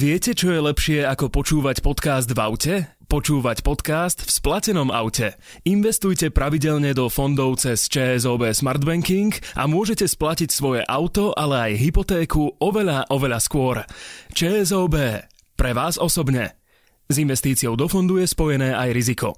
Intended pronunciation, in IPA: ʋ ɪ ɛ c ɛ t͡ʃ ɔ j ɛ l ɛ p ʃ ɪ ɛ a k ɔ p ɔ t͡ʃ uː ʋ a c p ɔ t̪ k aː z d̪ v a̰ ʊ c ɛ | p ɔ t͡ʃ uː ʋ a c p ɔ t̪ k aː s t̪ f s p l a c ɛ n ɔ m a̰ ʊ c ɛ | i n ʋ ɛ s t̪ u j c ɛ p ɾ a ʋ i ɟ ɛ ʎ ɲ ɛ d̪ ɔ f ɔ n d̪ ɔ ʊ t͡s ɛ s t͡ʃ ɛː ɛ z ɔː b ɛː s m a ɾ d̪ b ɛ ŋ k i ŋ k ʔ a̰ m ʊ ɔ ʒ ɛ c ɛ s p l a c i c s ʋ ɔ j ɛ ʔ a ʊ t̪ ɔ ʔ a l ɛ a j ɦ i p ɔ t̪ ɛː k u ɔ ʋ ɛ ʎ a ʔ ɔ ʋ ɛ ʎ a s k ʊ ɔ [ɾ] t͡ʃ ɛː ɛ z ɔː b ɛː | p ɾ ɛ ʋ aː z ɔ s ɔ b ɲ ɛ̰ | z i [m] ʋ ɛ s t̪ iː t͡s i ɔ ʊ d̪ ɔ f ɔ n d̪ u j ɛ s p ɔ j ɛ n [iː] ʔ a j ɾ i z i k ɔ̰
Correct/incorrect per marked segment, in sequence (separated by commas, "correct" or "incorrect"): correct, incorrect, incorrect